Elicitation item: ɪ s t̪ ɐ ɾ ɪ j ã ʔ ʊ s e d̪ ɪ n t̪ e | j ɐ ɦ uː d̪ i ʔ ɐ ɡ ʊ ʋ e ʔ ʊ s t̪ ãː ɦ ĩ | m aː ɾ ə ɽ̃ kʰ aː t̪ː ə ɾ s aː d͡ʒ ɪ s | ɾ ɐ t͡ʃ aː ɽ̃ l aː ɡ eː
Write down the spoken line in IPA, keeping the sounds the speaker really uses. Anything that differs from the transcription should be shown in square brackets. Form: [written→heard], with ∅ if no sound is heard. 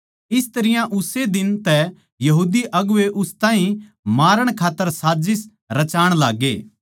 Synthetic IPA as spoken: ɪ s t̪ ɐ ɾ ɪ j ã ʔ ʊ s e d̪ ɪ n t̪ [e→ɛ] | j ɐ ɦ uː d̪ i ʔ ɐ ɡ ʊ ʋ e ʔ ʊ s t̪ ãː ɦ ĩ | m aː ɾ ə ɽ̃ kʰ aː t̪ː ə ɾ s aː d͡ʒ ɪ s | ɾ ɐ t͡ʃ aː ɽ̃ l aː ɡ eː